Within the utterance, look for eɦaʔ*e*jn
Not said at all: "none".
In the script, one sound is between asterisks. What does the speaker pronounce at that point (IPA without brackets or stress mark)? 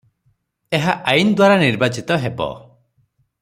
a